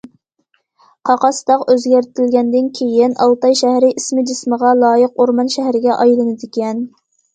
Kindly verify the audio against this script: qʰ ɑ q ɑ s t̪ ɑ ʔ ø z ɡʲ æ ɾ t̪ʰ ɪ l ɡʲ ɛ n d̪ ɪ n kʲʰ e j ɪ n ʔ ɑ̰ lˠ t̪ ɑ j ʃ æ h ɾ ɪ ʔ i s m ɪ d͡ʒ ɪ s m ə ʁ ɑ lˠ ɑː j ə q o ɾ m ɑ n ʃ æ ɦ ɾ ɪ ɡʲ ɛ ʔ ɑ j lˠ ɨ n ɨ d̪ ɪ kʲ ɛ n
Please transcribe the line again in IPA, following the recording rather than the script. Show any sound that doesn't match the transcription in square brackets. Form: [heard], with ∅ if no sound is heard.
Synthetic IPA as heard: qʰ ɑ q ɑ s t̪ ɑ [q] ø z ɡʲ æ ɾ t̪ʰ ɪ l ɡʲ ɛ n d̪ ɪ n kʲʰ e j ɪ n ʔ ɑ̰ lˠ t̪ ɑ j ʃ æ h ɾ ɪ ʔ i s m ɪ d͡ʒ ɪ s m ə ʁ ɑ lˠ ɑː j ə q o ɾ m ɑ n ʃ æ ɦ ɾ ɪ ɡʲ ɛ ʔ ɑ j lˠ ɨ n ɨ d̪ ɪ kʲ ɛ n